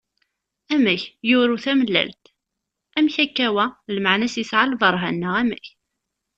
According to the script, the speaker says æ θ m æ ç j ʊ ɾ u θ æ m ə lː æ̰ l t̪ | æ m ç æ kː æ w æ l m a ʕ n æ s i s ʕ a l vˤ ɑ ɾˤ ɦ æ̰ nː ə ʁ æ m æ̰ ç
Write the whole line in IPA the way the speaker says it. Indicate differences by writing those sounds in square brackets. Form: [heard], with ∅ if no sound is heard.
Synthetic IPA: æ [∅] m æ ç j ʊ ɾ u θ æ m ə lː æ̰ l t̪ | æ m ç æ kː æ w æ l m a ʕ n æ s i s ʕ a l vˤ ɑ ɾˤ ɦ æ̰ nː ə ʁ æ m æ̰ ç